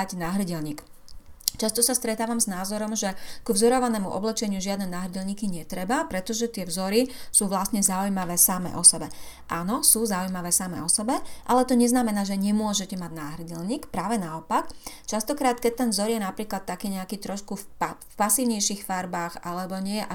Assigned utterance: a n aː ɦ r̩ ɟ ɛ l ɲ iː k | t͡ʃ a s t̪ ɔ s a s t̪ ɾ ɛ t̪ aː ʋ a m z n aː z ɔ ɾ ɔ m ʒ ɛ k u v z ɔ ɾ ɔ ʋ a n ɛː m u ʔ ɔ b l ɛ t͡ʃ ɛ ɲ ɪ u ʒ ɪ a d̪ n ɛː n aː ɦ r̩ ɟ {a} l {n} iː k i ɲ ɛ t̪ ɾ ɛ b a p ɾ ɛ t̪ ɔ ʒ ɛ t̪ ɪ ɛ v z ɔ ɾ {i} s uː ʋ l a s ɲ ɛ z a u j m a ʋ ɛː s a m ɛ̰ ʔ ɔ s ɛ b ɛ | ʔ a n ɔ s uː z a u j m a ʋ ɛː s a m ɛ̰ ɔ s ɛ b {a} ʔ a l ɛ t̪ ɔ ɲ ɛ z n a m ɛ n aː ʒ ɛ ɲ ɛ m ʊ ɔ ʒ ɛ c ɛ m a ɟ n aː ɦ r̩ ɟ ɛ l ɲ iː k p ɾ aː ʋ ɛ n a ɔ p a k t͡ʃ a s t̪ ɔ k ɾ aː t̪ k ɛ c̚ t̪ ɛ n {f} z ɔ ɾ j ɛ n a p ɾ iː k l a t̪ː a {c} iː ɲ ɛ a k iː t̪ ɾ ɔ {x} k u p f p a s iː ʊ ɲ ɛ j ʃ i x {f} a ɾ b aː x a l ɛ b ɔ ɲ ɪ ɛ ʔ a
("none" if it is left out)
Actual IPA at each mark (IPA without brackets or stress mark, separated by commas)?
ɛ, ɲ, i, ɛ, v, k, ʃ, f